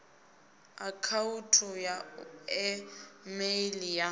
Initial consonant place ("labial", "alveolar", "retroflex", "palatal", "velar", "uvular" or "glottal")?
velar